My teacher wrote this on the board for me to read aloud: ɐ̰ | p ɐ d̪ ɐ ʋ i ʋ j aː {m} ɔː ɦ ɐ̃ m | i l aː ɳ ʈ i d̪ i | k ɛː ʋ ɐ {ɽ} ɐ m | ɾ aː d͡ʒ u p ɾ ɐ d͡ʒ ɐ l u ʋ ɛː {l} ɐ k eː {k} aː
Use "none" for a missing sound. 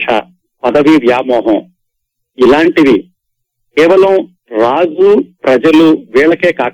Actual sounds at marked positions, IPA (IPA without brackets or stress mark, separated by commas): m, l, ɭ, k